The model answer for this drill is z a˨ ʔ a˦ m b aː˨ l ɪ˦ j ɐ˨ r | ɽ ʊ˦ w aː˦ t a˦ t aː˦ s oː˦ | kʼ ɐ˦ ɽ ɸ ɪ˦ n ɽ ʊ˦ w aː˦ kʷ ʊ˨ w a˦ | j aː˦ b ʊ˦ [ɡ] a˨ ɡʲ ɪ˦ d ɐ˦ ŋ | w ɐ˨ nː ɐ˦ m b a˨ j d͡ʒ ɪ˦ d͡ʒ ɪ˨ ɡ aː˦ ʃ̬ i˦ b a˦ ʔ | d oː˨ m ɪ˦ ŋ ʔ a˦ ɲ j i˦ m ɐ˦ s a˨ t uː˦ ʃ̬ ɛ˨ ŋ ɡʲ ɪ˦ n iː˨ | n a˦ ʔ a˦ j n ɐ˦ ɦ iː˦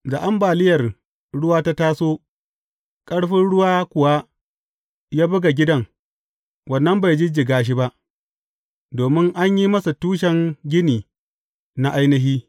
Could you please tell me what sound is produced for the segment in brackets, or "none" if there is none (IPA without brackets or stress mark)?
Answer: ɡ